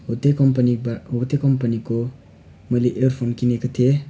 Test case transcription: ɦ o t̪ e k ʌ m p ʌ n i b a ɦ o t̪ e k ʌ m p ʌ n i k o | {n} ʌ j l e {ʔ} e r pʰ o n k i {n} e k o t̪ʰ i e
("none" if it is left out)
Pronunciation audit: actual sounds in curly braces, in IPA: m, ʔ, n

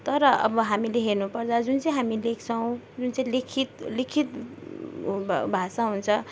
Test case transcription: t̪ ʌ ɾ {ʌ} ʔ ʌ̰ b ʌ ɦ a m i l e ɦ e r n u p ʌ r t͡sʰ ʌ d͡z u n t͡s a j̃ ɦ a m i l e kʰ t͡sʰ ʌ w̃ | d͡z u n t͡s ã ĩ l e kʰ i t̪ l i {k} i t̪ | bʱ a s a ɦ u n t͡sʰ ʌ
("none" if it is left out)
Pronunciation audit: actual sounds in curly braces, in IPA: ʌ, kʰ

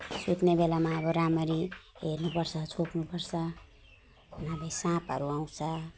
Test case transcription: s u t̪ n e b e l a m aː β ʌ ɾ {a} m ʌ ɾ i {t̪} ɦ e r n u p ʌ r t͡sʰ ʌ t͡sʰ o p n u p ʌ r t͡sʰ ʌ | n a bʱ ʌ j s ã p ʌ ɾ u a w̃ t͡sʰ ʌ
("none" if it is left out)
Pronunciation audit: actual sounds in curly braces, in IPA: a, none

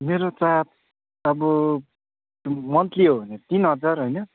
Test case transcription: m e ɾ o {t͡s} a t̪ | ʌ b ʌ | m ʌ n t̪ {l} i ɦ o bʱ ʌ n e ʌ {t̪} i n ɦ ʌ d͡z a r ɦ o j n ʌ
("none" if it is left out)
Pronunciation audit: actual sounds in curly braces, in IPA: t͡s, l, t̪

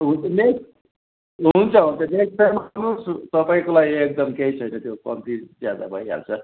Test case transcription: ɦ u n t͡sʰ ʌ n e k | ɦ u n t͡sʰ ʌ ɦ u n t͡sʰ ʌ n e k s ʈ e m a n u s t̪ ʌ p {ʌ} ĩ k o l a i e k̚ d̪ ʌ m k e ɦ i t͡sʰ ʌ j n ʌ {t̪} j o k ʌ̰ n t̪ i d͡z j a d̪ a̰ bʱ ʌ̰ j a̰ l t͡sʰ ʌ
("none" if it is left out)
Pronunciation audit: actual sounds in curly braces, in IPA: a, t̪

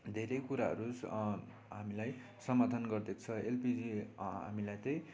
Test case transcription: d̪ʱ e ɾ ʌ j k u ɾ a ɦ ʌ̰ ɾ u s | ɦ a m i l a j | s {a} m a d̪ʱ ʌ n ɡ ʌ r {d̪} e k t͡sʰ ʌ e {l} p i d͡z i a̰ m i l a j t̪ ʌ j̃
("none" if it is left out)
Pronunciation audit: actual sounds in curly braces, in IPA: ʌ, d̪, l

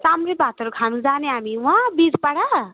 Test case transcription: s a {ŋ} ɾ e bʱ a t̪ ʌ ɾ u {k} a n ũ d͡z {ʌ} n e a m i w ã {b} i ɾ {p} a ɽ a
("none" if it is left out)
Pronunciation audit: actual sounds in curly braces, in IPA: m, kʰ, a, b, p

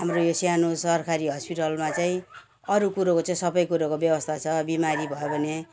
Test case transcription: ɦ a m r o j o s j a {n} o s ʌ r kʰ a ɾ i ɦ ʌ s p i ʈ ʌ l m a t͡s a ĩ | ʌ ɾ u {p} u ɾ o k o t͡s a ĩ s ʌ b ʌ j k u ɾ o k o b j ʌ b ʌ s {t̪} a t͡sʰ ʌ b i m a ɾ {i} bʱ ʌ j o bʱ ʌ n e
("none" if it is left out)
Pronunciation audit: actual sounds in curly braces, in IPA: n, k, t̪ʰ, i

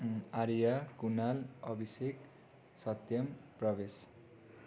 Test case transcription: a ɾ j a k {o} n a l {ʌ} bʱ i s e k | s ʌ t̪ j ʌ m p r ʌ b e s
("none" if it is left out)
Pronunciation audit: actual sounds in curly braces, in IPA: u, ʌ

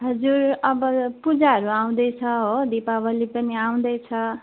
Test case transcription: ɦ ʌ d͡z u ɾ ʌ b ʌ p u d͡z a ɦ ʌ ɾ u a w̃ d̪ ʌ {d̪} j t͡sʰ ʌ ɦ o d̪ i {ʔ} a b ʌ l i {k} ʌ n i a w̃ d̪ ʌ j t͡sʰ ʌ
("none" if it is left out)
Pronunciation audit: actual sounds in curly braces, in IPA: none, p, p

